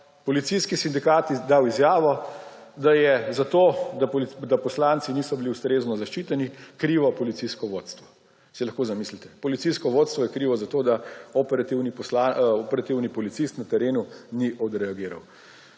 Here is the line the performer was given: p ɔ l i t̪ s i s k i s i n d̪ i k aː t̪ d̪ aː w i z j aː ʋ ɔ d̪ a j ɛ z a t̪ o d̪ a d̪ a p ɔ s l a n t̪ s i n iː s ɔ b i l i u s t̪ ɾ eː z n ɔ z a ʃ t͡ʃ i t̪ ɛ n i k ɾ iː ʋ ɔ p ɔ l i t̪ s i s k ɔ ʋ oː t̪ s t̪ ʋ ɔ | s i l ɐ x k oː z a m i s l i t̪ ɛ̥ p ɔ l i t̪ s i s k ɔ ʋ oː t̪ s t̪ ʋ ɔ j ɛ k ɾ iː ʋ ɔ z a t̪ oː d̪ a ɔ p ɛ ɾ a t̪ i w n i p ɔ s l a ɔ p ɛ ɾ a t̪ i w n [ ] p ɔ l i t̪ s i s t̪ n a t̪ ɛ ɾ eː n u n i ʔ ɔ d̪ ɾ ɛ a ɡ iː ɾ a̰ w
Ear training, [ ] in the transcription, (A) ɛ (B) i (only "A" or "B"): B